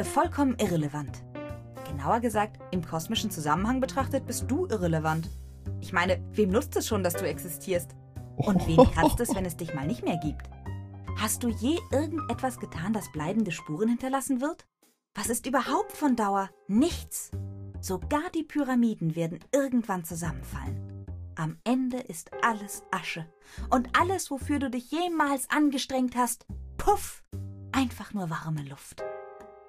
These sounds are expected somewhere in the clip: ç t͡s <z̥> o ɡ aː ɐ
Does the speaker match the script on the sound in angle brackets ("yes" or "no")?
yes